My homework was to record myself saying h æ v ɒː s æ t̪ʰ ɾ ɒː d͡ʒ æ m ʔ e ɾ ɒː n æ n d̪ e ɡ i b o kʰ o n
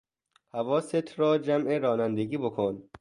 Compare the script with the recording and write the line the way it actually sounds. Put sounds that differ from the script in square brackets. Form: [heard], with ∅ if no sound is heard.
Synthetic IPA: h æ v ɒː s [e] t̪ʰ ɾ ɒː d͡ʒ æ m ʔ e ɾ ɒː n æ n d̪ e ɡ [iː] b o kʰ o n